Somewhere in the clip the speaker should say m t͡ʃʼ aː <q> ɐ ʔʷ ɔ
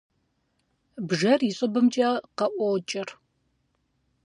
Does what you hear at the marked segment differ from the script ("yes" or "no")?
no